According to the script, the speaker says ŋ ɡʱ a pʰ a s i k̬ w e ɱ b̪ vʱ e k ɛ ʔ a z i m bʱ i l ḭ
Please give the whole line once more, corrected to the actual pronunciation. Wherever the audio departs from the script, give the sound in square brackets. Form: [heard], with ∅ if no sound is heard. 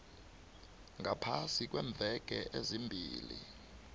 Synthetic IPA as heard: ŋ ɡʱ a pʰ a s i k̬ w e ɱ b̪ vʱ [ɛ] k ɛ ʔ [e] z i m bʱ [iː] l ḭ